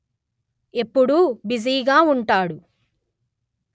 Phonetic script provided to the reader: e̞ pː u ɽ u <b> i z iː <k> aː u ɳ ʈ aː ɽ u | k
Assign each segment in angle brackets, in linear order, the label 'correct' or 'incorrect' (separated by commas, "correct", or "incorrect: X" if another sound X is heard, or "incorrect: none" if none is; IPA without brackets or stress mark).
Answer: correct, incorrect: ɡ